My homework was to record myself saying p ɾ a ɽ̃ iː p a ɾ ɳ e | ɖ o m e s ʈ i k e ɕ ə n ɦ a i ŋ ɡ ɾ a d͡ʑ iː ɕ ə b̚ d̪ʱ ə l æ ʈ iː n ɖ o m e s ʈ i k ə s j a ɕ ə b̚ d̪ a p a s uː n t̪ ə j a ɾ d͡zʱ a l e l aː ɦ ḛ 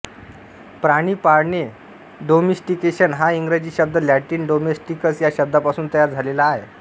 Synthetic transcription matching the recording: p ɾ a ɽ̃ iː p a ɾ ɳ e | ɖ o m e s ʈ i k e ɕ ə n ɦ a i ŋ ɡ ɾ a d͡ʑ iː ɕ ə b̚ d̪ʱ ə l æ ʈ iː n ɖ o m e s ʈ i k ə s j a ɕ ə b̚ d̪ a p a s uː n t̪ ə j a ɾ d͡zʱ a l e l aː ɦ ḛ